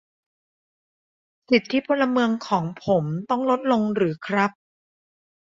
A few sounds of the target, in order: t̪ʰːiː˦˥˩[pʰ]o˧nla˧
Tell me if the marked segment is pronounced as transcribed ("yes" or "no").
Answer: yes